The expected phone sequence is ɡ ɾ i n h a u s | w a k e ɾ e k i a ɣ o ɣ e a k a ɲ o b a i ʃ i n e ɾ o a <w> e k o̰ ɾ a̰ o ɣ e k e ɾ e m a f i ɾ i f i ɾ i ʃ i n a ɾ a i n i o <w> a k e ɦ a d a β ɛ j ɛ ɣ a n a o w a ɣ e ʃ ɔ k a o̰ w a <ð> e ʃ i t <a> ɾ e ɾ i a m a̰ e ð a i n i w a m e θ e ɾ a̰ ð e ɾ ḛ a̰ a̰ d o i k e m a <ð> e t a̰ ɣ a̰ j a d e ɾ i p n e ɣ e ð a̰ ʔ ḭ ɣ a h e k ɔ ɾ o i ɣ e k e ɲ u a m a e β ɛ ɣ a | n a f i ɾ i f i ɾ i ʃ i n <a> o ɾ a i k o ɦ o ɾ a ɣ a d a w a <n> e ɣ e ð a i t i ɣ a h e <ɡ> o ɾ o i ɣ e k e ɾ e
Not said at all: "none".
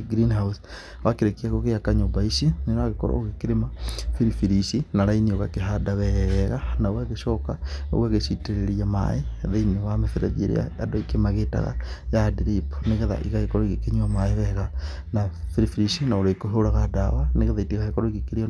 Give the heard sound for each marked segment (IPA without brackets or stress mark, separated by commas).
ɣ, ɣ, ɣ, e, ɣ, a, n, k